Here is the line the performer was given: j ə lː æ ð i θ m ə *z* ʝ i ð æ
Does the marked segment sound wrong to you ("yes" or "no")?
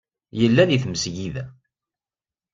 yes